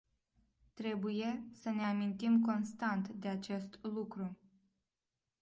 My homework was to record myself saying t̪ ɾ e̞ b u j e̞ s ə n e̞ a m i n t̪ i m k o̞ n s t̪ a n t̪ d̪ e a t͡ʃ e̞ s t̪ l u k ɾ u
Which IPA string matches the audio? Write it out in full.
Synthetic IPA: t̪ ɾ e̞ b u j e̞ s ə n e̞ a m i n t̪ i m k o̞ n s t̪ a n t̪ d̪ e a t͡ʃ e̞ s t̪ l u k ɾ u